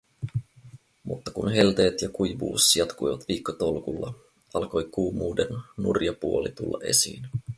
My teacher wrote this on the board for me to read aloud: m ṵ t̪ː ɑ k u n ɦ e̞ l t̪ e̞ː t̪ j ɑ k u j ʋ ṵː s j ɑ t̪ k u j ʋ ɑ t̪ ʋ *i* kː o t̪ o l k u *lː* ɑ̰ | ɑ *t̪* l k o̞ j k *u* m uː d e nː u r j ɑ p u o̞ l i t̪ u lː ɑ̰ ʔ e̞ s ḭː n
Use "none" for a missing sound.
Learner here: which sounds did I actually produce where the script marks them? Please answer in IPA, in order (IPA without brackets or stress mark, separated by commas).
iː, lː, none, uː